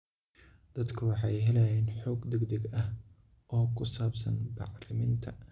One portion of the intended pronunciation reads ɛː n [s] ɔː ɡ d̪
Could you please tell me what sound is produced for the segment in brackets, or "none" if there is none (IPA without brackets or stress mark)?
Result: ħ